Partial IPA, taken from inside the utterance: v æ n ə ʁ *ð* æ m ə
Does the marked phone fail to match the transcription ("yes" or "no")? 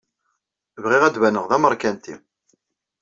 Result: no